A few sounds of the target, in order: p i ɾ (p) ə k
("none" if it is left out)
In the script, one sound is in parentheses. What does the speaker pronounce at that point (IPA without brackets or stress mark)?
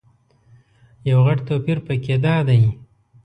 p